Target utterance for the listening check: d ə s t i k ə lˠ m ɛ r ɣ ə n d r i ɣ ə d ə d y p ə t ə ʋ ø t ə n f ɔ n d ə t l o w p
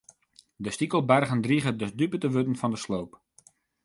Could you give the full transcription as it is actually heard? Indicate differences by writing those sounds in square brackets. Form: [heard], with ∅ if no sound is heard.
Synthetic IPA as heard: d ə s t i k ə lˠ [b] ɛ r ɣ ə n d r i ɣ ə d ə d y p ə t ə ʋ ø t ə n f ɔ n d ə [s] l o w p